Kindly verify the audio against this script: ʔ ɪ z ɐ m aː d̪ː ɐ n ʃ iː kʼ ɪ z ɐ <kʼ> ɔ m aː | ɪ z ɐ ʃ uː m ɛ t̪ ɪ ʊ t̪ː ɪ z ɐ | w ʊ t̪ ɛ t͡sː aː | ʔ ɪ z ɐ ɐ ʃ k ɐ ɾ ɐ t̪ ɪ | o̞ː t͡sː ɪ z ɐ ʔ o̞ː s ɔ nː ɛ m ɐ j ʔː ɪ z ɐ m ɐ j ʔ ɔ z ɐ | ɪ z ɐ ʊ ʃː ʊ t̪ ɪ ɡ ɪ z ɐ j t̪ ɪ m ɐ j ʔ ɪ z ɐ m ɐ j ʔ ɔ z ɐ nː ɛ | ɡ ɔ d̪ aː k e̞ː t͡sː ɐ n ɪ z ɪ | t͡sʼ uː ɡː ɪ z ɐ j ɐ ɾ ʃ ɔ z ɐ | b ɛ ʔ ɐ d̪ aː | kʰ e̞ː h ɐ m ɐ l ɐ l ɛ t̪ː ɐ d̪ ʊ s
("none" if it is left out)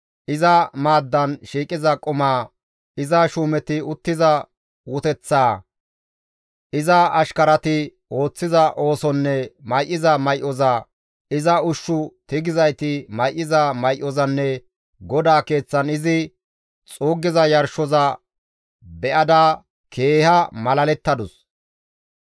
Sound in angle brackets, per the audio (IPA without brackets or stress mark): kʼ